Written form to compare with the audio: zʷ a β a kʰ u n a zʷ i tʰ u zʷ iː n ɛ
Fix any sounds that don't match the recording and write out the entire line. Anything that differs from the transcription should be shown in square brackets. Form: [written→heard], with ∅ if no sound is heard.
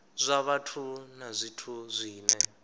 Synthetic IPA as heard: zʷ a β a [kʰ→tʰ] u n a zʷ i tʰ u zʷ iː n ɛ